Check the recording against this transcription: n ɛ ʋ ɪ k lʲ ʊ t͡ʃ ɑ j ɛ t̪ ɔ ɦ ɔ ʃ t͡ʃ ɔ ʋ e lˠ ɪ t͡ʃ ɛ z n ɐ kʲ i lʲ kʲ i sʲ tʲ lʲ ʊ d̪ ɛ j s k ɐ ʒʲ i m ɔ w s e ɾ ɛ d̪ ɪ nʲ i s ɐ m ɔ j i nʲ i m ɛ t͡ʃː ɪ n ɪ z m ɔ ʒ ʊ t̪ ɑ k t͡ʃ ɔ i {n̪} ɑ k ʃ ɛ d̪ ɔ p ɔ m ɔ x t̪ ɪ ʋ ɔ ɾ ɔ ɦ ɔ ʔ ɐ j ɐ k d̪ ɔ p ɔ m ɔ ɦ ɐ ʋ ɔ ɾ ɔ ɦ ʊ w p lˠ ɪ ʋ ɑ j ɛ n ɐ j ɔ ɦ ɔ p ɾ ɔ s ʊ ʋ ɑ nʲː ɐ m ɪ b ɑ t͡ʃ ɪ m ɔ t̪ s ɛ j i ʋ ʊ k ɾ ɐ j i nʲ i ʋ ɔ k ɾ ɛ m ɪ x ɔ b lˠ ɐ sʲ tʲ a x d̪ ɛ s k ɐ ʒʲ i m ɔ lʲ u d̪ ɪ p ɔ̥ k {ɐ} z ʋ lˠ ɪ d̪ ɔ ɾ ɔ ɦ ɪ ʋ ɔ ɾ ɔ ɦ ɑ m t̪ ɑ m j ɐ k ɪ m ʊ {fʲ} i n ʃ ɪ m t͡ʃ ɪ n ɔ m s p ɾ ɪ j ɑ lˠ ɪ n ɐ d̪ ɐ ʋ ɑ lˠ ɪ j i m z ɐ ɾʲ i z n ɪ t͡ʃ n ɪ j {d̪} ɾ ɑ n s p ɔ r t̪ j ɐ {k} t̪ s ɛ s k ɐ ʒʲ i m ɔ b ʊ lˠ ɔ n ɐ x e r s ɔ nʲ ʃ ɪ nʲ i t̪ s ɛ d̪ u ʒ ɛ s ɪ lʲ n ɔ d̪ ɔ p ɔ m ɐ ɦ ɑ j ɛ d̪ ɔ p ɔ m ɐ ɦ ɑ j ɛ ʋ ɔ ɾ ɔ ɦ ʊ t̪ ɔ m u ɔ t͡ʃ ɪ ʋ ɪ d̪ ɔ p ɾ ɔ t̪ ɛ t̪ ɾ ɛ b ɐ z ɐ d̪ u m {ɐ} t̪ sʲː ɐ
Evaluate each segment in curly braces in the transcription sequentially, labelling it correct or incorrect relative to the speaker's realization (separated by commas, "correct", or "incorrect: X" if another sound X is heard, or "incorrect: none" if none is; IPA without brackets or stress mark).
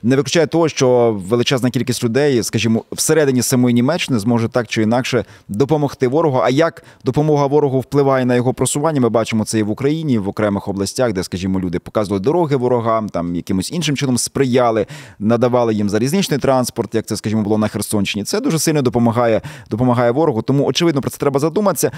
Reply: correct, incorrect: ɑ, incorrect: sʲ, incorrect: t̪, correct, correct